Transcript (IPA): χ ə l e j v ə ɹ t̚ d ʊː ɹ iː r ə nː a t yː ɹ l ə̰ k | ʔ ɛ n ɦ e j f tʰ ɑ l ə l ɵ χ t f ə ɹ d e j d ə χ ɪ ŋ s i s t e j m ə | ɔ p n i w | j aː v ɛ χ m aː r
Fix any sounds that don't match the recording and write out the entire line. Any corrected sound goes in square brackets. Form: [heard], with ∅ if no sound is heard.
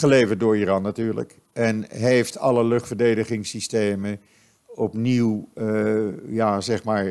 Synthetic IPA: χ ə l e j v ə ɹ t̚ d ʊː ɹ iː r [ɑ] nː a t yː ɹ l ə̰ k | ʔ ɛ n ɦ e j f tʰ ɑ l ə l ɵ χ t f ə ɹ d e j d ə χ ɪ ŋ s i s t e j m ə | ɔ p n i w | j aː [z] ɛ χ m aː [ɹ]